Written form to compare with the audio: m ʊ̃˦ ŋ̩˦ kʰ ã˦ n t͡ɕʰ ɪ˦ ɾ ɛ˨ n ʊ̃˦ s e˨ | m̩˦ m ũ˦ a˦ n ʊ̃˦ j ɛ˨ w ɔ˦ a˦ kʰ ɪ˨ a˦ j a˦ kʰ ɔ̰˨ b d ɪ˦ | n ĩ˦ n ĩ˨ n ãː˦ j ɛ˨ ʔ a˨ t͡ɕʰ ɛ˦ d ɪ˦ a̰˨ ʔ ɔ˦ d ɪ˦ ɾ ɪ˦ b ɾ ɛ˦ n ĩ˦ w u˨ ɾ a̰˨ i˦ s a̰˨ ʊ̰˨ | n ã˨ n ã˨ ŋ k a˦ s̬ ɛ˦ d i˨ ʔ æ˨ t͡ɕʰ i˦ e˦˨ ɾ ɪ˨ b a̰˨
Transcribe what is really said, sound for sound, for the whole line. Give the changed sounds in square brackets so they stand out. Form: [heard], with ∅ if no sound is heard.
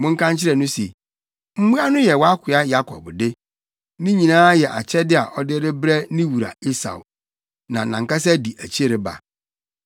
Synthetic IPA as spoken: m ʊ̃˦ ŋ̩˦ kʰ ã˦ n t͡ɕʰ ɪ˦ ɾ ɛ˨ n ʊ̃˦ s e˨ | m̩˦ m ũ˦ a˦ n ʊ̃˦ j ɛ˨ w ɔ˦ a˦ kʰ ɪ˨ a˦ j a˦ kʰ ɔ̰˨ b d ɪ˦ | n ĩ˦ [ɲ] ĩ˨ n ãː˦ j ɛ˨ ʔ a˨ t͡ɕʰ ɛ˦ d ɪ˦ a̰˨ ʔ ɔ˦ d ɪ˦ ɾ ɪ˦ b ɾ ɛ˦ n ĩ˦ w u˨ ɾ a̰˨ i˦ s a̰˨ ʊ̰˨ | n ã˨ n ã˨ ŋ k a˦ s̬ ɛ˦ d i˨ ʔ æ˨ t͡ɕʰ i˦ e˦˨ ɾ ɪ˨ b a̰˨